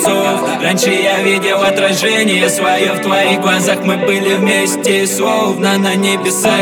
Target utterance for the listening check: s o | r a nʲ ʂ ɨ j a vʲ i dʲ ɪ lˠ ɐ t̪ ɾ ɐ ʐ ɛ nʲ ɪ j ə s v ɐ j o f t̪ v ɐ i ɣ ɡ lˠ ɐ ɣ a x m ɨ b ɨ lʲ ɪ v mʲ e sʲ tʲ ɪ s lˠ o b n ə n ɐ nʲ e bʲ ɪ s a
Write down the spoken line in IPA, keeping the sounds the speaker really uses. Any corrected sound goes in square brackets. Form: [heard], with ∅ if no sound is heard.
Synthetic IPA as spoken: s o | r a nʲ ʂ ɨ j a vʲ i dʲ ɪ lˠ ɐ t̪ ɾ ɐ ʐ ɛ nʲ ɪ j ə s v ɐ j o f t̪ v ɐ i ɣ ɡ lˠ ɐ [z] a x m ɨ b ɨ lʲ ɪ v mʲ e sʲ tʲ ɪ s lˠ o [v] n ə n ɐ nʲ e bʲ ɪ s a